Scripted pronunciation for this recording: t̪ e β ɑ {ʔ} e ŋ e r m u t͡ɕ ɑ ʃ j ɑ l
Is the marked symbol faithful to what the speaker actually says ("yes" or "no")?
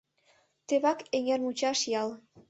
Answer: no